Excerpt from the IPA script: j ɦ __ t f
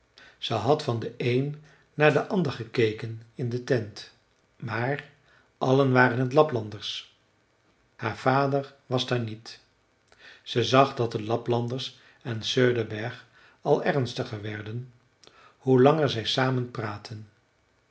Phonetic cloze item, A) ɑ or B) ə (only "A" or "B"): A